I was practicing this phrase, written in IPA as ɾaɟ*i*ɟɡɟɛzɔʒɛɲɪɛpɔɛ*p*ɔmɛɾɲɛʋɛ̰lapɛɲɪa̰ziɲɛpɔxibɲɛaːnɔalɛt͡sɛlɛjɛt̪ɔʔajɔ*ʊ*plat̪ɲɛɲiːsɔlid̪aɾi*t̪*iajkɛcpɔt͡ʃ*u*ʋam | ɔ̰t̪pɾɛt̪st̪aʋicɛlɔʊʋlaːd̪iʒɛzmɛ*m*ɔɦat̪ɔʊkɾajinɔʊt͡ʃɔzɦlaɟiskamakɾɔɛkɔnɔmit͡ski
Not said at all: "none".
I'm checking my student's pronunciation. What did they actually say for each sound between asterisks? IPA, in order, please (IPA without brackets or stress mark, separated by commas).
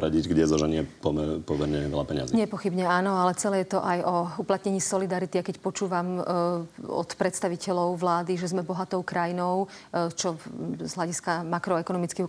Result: i, p, u, t̪, uː, b